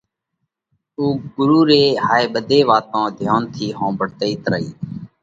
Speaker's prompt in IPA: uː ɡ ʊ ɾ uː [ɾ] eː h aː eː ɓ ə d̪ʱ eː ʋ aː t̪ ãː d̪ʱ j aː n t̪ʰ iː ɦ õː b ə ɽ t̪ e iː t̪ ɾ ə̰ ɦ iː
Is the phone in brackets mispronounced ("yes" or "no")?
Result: no